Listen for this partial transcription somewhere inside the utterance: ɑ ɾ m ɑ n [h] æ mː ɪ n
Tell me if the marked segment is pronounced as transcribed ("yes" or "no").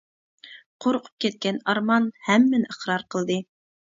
yes